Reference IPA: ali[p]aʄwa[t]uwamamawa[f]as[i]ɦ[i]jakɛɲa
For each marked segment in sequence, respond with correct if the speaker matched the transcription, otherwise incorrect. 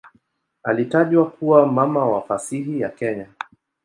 incorrect: t, incorrect: k, correct, correct, correct

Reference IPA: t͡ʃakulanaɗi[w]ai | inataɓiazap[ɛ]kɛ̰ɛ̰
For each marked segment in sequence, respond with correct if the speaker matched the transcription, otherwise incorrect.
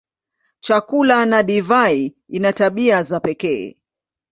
incorrect: v, correct

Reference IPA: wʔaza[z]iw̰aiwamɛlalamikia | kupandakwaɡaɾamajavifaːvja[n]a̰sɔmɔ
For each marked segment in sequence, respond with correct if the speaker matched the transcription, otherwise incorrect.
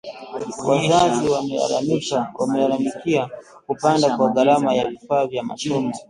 correct, incorrect: m

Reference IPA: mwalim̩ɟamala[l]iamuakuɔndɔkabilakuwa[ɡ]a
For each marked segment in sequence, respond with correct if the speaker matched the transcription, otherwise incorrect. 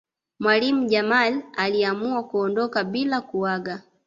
correct, correct

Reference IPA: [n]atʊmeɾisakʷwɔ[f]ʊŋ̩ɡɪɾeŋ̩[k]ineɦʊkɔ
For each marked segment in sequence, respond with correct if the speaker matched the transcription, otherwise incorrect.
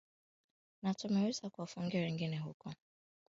correct, correct, incorrect: ɡ

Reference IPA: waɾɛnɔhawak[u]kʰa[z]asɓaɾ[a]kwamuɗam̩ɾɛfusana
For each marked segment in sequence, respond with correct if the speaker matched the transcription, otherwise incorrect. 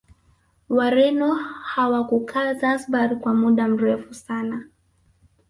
correct, correct, incorrect: i

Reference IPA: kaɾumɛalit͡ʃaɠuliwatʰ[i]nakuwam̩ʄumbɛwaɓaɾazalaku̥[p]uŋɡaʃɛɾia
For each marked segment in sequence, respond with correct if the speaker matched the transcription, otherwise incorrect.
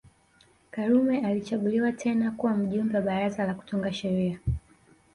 incorrect: ɛ, incorrect: t

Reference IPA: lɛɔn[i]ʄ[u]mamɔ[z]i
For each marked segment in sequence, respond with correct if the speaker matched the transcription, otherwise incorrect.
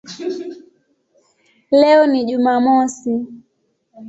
correct, correct, incorrect: s

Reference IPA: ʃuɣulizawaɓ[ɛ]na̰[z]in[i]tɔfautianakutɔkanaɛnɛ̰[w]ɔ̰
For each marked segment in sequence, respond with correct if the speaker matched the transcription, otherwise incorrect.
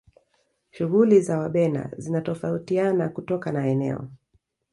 correct, correct, incorrect: a, incorrect: none

